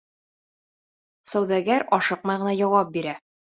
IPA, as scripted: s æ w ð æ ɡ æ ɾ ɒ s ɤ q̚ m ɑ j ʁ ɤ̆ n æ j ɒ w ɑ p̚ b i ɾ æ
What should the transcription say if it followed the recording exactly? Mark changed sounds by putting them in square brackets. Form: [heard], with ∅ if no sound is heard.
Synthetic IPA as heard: s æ w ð æ ɡ æ ɾ ɒ [ʃ] ɤ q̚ m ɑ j ʁ ɤ̆ n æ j ɒ w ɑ p̚ b i ɾ æ